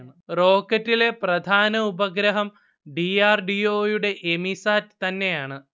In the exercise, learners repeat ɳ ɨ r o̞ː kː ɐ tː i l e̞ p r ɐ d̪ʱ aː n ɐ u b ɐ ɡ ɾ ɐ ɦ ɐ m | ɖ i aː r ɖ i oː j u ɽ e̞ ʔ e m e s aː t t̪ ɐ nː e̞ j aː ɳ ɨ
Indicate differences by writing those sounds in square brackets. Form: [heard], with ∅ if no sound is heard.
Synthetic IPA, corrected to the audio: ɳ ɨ r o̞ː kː ɐ tː i l e̞ p r ɐ d̪ʱ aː n ɐ u b ɐ ɡ ɾ ɐ ɦ ɐ m | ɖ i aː r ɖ i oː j u ɽ e̞ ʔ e m [i] s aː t t̪ ɐ nː e̞ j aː ɳ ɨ